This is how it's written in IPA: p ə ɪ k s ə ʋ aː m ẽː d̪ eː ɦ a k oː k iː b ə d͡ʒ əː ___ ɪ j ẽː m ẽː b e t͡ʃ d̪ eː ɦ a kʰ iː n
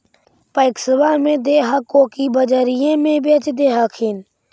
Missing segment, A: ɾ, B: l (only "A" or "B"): A